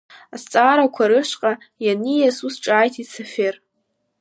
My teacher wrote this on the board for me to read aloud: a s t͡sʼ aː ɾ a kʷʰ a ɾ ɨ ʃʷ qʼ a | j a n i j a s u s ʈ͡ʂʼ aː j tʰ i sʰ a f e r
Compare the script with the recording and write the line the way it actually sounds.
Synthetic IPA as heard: a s t͡sʼ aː ɾ a kʷʰ a ɾ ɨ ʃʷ qʼ a | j a n i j a s u s ʈ͡ʂʼ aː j tʰ i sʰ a f e r